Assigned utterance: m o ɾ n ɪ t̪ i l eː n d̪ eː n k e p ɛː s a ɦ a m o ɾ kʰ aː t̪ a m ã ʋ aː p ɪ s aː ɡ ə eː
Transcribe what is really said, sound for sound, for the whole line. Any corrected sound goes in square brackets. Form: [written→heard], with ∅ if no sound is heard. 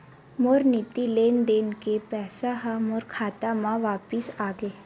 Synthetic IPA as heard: m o ɾ n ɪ t̪ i l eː n d̪ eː n k e p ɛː s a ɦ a m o ɾ kʰ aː t̪ a m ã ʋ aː p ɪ s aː ɡ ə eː